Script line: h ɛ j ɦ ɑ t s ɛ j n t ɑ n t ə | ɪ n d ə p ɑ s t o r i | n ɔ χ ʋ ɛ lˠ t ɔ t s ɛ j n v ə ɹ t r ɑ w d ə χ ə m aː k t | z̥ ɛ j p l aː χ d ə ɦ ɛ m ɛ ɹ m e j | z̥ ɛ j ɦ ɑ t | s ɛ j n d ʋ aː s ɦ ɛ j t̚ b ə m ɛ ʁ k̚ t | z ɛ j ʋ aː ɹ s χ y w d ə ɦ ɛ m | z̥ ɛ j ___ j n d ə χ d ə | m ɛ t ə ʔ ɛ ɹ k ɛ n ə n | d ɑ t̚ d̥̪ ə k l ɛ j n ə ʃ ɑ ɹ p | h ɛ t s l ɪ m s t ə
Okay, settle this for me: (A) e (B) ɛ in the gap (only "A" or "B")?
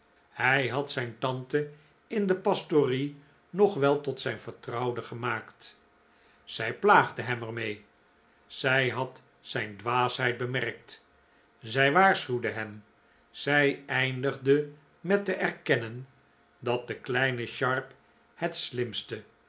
B